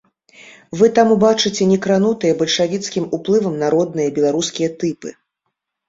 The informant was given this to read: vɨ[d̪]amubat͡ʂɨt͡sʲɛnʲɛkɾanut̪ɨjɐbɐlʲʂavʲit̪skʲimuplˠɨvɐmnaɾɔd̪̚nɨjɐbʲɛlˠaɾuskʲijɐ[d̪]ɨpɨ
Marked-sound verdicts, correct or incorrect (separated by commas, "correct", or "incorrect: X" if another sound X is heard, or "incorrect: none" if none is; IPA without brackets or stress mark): incorrect: t̪, incorrect: t̪